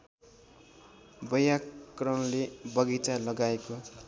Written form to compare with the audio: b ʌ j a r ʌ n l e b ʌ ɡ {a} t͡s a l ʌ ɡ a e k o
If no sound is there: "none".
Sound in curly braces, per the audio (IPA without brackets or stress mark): i